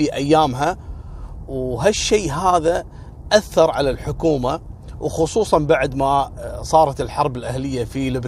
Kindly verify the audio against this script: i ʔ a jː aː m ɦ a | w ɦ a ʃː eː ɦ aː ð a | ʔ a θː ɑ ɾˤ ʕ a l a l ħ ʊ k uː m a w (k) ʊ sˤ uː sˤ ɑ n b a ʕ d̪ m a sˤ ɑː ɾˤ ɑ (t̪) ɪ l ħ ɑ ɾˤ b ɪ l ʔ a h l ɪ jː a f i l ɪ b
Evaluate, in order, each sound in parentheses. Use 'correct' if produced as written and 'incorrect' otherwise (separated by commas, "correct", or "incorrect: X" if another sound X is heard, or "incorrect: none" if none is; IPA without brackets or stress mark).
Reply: incorrect: x, correct